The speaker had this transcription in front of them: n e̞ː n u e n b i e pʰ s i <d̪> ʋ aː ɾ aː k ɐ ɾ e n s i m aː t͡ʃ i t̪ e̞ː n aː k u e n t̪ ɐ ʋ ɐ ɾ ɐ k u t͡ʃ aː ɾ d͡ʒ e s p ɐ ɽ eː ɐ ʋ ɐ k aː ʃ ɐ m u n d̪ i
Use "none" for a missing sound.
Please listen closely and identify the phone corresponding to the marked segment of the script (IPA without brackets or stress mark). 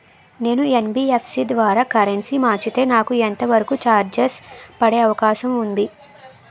d̪